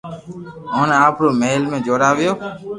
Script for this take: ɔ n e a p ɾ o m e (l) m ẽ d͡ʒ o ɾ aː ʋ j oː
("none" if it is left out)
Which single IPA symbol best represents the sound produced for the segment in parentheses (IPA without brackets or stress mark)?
l